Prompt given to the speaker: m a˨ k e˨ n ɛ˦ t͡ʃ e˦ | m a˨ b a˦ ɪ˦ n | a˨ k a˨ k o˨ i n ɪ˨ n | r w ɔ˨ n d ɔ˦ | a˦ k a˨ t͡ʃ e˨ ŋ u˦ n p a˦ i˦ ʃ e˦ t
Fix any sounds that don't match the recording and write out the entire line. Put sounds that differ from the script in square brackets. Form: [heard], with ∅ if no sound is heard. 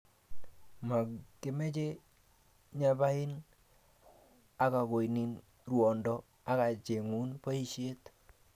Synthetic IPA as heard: m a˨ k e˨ [m] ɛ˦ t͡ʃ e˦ | [ɲ] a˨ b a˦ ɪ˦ n | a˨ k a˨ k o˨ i n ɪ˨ n | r w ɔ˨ n d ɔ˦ | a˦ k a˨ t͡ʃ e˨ ŋ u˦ n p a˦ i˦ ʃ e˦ t